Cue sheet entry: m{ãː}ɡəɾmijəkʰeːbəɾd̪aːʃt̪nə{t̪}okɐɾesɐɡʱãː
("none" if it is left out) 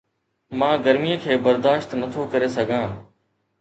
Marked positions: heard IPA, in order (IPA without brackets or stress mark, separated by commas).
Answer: ãː, t̪ʰ